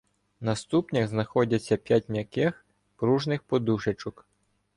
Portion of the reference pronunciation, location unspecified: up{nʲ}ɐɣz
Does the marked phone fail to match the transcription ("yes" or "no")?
no